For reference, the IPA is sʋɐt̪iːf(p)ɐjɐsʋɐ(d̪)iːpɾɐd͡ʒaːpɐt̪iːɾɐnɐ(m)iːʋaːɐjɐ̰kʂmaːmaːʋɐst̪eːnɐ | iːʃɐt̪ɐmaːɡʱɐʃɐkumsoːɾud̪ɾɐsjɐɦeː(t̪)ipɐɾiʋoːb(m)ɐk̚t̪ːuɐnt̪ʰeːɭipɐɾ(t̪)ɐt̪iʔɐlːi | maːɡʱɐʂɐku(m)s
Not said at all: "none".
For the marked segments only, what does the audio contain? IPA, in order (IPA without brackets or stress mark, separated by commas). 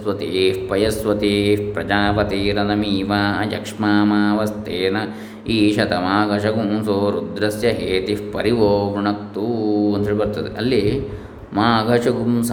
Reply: p, t̪, m, t̪, ɳ, t̪, m